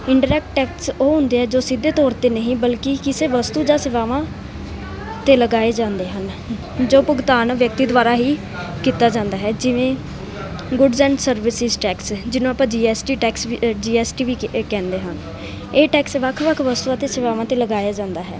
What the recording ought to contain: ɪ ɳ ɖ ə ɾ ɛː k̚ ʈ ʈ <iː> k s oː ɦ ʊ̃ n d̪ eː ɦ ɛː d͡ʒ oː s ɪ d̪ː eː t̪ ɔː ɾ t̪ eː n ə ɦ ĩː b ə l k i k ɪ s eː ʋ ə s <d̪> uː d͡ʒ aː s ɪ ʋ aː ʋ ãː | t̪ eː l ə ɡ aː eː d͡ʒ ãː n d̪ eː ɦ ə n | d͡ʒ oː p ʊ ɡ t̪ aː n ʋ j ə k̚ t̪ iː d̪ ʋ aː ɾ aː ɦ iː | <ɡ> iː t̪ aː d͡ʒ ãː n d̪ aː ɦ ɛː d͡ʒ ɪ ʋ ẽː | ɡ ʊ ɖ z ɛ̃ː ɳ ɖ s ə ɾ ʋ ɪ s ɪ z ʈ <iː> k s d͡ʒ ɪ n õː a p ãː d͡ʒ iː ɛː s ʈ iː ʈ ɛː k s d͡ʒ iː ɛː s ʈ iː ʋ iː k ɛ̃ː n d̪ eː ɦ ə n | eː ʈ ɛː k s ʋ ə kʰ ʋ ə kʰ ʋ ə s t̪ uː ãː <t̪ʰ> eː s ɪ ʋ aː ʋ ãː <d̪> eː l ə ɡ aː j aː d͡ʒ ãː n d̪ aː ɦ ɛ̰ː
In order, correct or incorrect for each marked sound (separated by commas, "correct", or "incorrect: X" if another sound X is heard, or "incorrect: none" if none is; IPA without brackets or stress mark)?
incorrect: ɛː, incorrect: t̪, incorrect: k, incorrect: ɛː, incorrect: t̪, incorrect: t̪